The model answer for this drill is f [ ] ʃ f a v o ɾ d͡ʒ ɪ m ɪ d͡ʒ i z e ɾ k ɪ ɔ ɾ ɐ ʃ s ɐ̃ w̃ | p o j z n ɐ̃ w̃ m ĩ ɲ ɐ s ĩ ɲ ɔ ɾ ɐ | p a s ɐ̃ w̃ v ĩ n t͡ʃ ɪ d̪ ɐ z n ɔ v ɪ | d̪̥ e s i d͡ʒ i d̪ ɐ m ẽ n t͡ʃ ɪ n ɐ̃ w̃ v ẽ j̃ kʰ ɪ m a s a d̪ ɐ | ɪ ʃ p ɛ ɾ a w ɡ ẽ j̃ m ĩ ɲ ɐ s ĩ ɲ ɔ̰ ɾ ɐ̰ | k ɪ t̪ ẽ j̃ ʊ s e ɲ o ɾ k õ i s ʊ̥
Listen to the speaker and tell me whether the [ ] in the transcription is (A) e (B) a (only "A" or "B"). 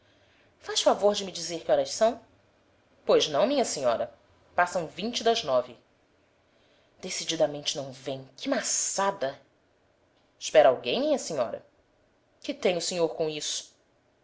B